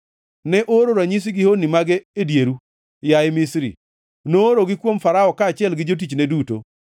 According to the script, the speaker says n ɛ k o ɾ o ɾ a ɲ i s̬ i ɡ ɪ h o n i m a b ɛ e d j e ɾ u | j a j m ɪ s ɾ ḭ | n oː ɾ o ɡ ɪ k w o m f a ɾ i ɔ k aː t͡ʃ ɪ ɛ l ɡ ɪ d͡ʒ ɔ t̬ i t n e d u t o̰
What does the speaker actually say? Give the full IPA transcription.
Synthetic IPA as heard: n ɛ ʔ o ɾ o ɾ a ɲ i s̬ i ɡ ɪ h o n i m a ɡ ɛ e d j e ɾ u | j a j m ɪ s ɾ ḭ | n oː ɾ o ɡ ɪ k w o m f a ɾ a ɔ k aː t͡ʃ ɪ ɛ l ɡ ɪ d͡ʒ o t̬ i t͡ʃ n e d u t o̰

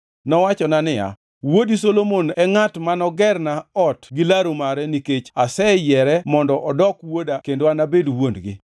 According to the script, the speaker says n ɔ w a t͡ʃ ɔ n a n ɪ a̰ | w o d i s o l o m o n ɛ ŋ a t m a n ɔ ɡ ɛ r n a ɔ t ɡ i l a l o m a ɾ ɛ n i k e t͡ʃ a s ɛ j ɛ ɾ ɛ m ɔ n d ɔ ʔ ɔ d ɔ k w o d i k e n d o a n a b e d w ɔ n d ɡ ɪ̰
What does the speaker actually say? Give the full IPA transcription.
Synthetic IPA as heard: n ɔ w a t͡ʃ ɔ n a n ɪ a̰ | w o d i s o l o m o n ɛ ŋ a t m a n ɔ ɡ ɛ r n a ɔ t ɡ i l a ɾ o m a ɾ ɛ n i k e t͡ʃ a s ɛ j ɛ ɾ ɛ m ɔ n d ɔ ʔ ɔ d ɔ k w o d a k e n d o a n a b e d w o n d ɡ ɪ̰

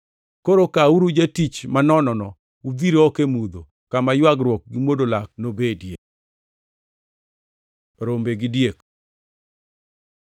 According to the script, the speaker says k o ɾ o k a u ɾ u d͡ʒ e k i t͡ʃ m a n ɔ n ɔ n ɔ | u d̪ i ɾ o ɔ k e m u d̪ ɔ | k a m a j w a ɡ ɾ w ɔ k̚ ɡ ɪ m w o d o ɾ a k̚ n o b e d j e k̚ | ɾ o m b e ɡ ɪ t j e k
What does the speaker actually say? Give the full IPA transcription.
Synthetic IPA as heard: k o ɾ o k a u ɾ u d͡ʒ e t i t͡ʃ m a n ɔ n ɔ n ɔ | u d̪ i ɾ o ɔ k e m u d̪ o | k a m a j w a ɡ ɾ w ɔ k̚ ɡ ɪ m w o d o l a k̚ n o b e d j e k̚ | ɾ o m b e ɡ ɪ d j e k

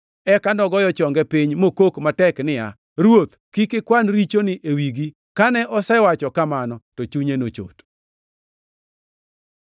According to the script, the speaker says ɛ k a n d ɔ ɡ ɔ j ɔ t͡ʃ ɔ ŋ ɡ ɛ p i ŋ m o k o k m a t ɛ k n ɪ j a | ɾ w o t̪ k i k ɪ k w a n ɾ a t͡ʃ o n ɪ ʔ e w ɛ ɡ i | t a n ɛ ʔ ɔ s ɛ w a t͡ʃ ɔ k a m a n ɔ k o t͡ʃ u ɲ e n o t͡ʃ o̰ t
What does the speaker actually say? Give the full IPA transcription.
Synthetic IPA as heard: ɛ k a n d ɔ ɡ ɔ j ɔ t͡ʃ ɔ ŋ ɡ ɛ p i ɲ m o k o k m a t ɛ k n ɪ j a | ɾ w o t̪ k i k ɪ k w a n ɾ i t͡ʃ o n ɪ ʔ e w i ɡ i | k a n ɛ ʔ ɔ s ɛ w a t͡ʃ ɔ k a m a n ɔ t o t͡ʃ u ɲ e n o t͡ʃ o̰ t

